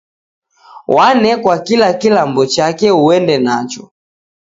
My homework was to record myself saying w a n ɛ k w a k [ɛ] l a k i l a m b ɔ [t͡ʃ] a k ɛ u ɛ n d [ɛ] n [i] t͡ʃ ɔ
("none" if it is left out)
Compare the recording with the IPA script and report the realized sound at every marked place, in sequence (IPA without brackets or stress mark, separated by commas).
i, t͡ʃ, ɛ, a